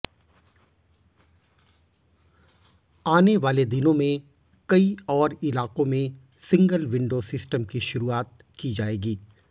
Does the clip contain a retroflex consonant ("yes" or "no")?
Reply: yes